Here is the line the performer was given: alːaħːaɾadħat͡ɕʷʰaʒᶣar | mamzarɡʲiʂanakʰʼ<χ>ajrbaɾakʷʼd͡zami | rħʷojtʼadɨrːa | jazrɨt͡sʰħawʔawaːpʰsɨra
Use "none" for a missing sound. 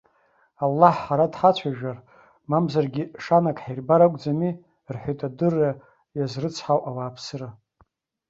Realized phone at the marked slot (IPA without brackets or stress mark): ħ